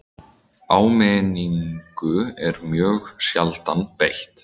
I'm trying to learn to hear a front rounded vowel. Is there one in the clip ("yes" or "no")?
yes